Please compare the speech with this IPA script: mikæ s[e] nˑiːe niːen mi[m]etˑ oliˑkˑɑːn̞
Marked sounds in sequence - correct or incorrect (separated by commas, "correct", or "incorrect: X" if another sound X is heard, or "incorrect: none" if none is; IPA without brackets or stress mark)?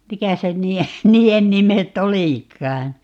correct, correct